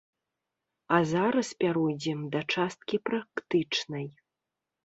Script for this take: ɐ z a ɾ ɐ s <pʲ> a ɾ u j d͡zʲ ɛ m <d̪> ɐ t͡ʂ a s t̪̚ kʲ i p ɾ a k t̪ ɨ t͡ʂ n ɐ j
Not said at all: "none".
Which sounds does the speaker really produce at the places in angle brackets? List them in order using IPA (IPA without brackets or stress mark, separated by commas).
pʲ, d̪